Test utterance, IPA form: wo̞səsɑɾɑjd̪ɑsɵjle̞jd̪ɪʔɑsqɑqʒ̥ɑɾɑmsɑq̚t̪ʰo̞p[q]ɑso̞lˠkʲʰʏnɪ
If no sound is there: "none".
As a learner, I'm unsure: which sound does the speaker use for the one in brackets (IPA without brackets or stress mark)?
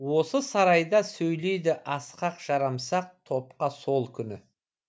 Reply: q